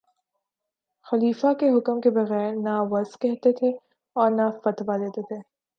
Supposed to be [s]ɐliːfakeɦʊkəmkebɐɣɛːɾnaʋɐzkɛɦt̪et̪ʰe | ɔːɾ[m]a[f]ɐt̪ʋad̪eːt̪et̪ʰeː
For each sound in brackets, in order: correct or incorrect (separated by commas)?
incorrect, incorrect, correct